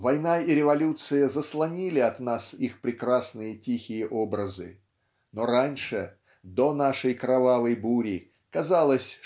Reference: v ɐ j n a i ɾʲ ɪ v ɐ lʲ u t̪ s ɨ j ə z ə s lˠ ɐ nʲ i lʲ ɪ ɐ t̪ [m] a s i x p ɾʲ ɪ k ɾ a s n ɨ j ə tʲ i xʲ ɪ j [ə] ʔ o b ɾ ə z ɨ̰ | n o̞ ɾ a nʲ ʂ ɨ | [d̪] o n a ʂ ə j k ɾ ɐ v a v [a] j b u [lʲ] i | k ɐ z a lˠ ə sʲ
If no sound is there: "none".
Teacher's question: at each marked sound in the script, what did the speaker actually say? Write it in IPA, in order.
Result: n, ə, d̪, ə, ɾʲ

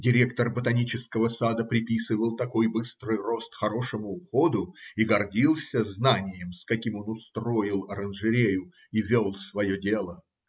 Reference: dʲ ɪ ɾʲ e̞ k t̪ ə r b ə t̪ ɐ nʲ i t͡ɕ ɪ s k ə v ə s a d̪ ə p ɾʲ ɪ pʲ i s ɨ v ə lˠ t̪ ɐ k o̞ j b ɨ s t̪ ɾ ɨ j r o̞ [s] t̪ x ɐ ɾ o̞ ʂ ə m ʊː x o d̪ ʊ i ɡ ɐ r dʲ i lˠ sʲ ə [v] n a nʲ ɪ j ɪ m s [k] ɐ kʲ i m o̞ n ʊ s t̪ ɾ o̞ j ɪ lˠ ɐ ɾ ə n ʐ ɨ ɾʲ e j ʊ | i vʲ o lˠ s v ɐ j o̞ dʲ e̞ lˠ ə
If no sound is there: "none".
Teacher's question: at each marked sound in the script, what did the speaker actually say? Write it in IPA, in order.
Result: s, z, k

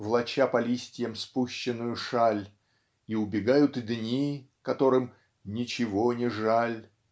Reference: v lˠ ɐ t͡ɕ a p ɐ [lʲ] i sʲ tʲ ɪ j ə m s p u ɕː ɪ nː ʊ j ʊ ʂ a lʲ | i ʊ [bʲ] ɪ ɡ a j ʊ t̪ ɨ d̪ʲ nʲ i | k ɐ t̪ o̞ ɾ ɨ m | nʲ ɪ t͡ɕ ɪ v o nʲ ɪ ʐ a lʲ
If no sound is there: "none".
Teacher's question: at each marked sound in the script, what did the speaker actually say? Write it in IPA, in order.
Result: lʲ, bʲ

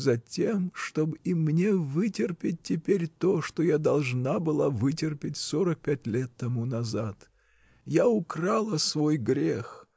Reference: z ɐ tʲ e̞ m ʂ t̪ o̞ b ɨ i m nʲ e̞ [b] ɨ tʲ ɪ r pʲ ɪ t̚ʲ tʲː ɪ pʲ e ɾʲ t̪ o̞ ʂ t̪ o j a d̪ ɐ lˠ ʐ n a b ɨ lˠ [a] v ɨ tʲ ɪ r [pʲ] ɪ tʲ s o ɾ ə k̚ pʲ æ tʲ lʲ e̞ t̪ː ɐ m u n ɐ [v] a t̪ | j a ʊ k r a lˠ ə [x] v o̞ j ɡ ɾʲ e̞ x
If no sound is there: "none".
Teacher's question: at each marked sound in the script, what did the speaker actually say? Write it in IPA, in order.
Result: v, a, pʲ, z, s

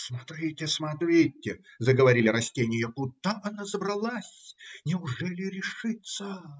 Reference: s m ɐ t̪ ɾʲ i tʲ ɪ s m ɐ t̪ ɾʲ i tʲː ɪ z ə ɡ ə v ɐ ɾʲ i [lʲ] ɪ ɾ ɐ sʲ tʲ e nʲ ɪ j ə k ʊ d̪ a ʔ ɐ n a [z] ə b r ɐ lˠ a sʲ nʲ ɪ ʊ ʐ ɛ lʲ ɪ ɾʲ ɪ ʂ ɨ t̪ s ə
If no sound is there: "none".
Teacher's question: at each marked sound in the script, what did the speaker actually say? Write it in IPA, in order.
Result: lʲ, z

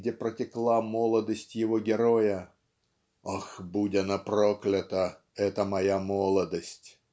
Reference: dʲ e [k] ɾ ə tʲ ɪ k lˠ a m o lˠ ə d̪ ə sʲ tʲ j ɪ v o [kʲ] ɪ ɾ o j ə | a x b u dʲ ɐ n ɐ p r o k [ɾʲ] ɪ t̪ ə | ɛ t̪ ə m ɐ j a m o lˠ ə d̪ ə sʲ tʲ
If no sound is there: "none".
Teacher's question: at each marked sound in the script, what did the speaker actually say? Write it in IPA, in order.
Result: p, ɡʲ, lʲ

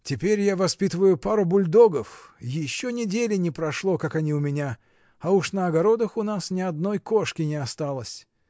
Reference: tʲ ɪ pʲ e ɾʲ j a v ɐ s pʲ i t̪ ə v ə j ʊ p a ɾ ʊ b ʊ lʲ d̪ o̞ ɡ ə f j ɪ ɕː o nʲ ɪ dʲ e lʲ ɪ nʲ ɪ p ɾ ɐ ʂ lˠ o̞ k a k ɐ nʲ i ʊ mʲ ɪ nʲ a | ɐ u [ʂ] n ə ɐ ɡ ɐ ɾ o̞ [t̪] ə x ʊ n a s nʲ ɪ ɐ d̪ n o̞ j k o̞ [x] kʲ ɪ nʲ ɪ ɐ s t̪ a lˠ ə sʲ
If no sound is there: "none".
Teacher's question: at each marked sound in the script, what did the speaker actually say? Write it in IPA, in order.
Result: ʂ, d̪, ʂ

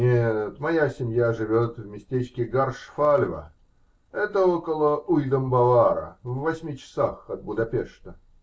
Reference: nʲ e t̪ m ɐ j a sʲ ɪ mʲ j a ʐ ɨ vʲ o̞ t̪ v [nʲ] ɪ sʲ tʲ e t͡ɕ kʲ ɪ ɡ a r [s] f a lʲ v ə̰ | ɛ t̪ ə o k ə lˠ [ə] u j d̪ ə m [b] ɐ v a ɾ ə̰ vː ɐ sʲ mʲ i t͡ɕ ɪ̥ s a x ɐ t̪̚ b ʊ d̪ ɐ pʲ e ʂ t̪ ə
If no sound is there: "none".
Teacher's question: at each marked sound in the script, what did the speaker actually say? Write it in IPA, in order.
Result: mʲ, ʂ, ə, b

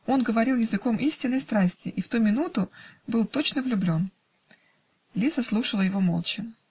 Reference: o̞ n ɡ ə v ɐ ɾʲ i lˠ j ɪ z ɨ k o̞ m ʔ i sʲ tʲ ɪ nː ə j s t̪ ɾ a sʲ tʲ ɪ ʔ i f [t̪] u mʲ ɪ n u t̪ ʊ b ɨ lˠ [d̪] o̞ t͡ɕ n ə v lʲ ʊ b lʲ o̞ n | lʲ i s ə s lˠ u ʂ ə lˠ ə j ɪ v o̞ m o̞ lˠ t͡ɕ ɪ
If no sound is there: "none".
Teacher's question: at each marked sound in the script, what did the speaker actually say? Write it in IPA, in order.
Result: t̪, t̪

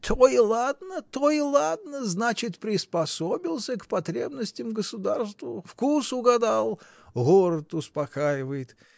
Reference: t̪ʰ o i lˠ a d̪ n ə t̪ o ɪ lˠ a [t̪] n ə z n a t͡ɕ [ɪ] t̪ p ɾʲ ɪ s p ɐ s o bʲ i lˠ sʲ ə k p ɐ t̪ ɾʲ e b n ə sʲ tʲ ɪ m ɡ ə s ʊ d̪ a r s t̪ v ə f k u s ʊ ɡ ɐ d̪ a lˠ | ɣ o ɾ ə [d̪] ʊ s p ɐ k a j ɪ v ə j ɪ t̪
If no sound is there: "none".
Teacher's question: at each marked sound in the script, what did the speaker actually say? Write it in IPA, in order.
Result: d̪, ɪ, t̪

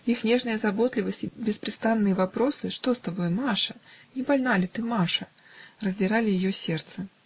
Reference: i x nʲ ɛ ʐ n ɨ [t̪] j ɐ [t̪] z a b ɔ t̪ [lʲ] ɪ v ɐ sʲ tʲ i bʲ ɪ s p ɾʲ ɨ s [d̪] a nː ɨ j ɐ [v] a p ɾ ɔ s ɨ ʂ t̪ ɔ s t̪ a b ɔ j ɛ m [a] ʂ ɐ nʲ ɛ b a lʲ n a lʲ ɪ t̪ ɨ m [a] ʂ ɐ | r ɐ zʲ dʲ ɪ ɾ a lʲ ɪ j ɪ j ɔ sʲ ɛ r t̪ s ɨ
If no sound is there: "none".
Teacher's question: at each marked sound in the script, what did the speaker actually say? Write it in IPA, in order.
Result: none, none, lʲ, t̪, v, a, a

